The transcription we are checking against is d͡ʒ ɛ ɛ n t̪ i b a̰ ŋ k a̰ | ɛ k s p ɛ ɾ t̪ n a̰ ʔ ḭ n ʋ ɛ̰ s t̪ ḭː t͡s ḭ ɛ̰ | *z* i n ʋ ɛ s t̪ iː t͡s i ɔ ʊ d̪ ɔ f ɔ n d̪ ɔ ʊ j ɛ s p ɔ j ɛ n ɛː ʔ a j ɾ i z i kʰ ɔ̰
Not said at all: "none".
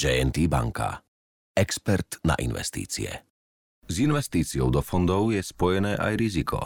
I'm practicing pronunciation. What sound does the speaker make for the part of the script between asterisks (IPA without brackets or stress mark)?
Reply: z